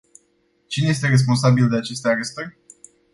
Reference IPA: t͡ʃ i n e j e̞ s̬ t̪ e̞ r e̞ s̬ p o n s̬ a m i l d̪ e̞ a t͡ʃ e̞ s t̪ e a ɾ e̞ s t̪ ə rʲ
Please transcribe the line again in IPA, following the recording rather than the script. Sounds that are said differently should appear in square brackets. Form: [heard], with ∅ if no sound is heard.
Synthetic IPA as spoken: t͡ʃ i n e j e̞ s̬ t̪ e̞ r e̞ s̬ p o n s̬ a [b] i l d̪ e̞ a t͡ʃ e̞ s t̪ e a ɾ e̞ s t̪ ə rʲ

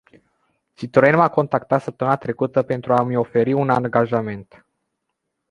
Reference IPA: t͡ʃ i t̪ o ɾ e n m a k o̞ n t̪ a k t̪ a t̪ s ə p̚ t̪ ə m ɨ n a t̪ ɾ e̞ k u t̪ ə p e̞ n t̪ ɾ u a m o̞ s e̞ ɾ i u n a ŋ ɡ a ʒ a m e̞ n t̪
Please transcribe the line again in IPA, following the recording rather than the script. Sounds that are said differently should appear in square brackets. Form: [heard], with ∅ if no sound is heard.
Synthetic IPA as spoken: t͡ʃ i t̪ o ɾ e n m a k o̞ n t̪ a k t̪ a t̪ s ə p̚ t̪ ə m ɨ n a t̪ ɾ e̞ k u t̪ ə p e̞ n t̪ ɾ u a m o̞ [f] e̞ ɾ i u n a ŋ ɡ a ʒ a m e̞ n t̪

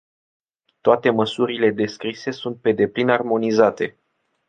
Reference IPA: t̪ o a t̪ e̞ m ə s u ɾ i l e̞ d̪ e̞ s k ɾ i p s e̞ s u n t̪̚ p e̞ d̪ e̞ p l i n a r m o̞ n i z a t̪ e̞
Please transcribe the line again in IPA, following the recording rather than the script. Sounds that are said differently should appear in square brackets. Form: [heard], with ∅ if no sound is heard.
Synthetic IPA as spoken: t̪ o a t̪ e̞ m ə s u ɾ i l e̞ d̪ e̞ s k ɾ i [∅] s e̞ s u n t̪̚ p e̞ d̪ e̞ p l i n a r m o̞ n i z a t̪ e̞

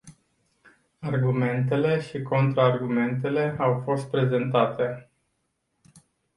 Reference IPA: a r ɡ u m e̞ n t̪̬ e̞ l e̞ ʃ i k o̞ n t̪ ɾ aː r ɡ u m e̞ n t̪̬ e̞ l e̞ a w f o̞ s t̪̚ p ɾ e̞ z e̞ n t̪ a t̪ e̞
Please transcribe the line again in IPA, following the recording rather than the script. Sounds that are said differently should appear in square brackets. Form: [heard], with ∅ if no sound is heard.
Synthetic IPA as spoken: a r ɡ u m e̞ n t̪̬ e̞ l e̞ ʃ i k o̞ n t̪ ɾ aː r ɡ u m e̞ n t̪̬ e̞ l e̞ a w f o̞ s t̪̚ p ɾ e̞ z e̞ n t̪ a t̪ e̞

